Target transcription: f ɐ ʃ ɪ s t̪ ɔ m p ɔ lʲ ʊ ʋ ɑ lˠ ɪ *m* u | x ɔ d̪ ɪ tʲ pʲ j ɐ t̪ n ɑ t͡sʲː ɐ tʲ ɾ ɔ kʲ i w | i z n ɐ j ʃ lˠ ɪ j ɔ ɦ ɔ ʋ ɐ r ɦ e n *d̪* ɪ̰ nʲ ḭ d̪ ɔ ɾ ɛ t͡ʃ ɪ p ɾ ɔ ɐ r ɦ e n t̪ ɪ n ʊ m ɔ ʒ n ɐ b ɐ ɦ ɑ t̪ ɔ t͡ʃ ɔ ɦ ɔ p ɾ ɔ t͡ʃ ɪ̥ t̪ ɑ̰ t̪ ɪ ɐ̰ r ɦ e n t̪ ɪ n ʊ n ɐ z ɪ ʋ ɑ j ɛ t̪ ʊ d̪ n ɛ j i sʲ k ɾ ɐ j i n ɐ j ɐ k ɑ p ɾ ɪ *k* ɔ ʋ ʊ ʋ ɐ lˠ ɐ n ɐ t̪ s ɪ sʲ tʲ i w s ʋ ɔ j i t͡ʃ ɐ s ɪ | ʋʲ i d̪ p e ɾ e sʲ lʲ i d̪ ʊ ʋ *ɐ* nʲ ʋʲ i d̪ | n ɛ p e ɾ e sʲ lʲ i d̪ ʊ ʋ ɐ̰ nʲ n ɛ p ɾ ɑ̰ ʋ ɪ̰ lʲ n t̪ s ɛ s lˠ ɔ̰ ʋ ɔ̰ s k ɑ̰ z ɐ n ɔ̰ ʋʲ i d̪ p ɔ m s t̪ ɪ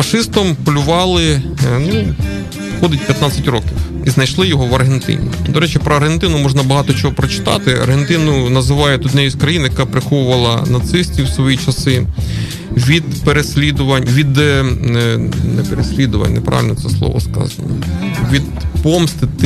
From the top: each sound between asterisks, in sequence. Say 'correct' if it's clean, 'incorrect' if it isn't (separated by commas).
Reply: incorrect, incorrect, incorrect, correct